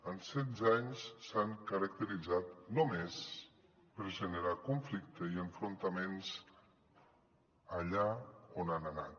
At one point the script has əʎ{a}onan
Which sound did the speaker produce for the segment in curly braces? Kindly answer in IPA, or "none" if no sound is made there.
a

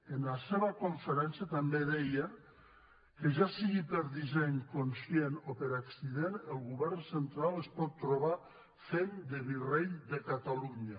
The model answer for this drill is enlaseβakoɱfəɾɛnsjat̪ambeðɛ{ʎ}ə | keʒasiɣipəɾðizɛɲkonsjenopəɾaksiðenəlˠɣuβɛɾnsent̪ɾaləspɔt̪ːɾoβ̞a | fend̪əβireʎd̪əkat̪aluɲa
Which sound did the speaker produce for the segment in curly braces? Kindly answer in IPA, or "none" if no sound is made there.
j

